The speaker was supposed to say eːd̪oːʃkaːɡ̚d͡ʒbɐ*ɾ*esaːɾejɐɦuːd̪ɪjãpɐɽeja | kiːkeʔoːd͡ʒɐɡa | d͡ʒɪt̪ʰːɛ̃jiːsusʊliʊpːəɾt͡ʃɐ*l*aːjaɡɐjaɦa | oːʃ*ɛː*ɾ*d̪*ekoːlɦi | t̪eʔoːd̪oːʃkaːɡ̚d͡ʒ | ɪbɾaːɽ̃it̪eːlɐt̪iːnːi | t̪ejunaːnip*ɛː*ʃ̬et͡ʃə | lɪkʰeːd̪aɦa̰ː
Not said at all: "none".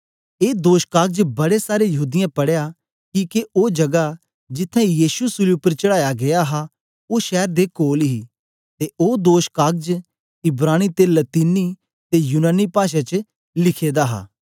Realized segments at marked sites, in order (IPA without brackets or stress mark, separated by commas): ɽ, ɽ, ɛː, d̪, aː